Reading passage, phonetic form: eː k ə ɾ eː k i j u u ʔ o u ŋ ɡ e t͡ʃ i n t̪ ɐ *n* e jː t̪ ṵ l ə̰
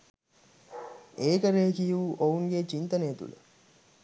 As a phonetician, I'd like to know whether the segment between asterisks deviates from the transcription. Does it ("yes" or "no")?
no